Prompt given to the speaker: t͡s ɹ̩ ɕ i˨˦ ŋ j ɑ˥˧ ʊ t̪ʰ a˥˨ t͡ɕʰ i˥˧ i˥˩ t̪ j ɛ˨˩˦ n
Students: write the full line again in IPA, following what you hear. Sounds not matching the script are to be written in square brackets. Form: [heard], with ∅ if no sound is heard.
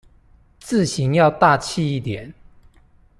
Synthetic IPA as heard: t͡s ɹ̩ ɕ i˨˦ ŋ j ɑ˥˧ ʊ [t̪] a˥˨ t͡ɕʰ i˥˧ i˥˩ t̪ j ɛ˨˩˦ n